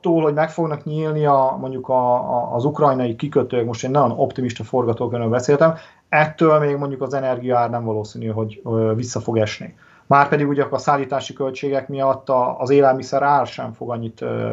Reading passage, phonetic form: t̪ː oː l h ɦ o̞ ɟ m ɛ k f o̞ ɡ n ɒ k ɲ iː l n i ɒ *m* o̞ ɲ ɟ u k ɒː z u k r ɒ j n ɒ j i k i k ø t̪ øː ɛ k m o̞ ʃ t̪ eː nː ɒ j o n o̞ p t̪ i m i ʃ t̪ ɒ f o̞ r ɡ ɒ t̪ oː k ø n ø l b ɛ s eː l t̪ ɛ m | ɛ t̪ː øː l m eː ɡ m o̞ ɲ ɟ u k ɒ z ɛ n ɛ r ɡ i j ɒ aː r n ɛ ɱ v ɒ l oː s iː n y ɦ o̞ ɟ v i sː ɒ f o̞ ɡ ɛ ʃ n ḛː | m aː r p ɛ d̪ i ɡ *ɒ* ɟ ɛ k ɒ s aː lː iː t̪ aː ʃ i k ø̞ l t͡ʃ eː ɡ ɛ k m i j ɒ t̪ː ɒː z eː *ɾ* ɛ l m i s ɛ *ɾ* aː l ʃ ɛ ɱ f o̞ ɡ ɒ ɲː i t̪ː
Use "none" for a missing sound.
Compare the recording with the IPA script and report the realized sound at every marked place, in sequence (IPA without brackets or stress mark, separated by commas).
m, u, l, ɾ